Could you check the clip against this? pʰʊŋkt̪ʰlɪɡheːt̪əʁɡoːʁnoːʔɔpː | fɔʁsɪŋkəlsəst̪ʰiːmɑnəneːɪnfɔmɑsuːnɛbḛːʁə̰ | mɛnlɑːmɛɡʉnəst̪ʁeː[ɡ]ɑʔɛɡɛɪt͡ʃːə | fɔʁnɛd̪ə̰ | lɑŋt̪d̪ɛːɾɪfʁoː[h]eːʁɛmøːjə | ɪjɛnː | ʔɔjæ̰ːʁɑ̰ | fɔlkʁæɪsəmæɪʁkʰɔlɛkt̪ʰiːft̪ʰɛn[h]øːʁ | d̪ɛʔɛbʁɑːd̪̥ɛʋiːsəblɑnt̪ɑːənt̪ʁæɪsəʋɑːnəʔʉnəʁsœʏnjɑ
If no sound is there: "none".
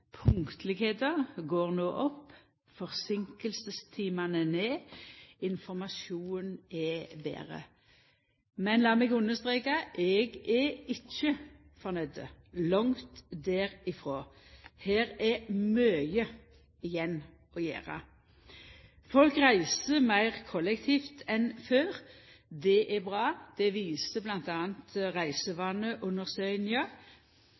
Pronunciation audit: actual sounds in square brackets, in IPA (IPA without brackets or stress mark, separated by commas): k, h, f